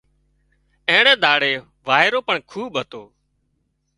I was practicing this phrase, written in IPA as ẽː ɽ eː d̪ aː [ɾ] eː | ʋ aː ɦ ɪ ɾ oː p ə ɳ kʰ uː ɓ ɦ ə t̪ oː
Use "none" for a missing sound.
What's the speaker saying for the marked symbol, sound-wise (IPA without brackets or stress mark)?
ɽ